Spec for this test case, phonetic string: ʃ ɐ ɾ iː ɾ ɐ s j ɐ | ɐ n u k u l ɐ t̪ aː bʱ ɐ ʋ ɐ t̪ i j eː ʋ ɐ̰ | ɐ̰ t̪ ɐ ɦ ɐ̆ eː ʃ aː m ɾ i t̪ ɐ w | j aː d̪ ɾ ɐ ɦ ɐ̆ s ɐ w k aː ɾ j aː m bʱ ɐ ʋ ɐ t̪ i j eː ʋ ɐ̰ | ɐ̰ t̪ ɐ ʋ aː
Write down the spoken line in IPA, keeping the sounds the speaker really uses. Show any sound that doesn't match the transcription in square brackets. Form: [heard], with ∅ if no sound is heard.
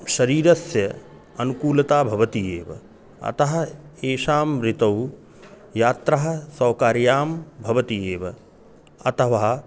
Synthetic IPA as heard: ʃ ɐ ɾ iː ɾ ɐ s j ɐ | ɐ n u k [uː] l ɐ t̪ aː bʱ ɐ ʋ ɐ t̪ i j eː ʋ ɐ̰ | ɐ̰ t̪ ɐ ɦ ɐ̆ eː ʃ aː m ɾ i t̪ ɐ w | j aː [t̪] ɾ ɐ ɦ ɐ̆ s ɐ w k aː ɾ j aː m bʱ ɐ ʋ ɐ t̪ i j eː ʋ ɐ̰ | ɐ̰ t̪ ɐ ʋ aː